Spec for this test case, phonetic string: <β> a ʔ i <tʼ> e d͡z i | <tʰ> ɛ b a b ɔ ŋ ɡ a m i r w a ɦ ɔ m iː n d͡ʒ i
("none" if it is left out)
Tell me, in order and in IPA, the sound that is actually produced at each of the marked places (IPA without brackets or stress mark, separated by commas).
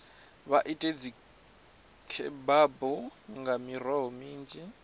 β, tʼ, kʰ